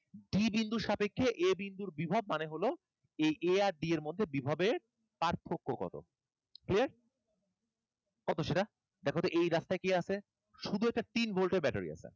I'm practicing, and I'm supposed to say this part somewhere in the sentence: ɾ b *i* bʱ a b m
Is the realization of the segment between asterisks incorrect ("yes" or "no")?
no